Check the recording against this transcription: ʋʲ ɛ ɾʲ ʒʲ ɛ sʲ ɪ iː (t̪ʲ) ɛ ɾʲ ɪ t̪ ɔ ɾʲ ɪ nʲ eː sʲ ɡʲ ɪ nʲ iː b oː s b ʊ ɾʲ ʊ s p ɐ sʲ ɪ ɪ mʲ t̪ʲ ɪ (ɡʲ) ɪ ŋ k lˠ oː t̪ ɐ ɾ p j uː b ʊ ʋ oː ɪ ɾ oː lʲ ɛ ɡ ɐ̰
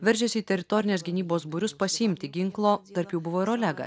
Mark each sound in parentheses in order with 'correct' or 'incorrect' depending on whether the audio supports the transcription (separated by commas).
correct, correct